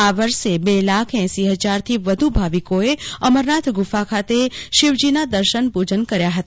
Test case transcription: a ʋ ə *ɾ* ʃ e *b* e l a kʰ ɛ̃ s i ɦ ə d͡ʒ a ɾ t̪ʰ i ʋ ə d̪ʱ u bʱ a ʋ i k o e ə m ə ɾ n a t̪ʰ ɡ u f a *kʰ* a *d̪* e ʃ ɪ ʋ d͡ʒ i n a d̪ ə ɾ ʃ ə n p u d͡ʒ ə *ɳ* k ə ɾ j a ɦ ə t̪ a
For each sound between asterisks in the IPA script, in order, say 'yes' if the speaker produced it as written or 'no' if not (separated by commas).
yes, yes, yes, no, no